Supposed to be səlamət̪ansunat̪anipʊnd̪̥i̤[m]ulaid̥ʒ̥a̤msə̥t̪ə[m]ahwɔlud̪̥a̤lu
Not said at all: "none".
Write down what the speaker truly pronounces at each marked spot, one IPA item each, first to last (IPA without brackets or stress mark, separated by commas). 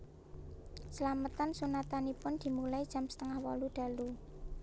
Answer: m, ŋ